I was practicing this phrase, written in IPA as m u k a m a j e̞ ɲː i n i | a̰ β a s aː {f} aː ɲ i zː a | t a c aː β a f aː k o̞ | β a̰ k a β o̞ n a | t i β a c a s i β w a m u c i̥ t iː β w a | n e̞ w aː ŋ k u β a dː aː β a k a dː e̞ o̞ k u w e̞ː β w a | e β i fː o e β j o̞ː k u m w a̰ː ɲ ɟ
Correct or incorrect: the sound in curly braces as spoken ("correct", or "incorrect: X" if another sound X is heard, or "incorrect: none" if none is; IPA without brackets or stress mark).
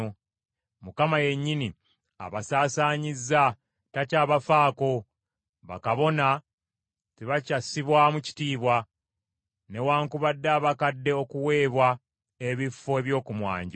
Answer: incorrect: s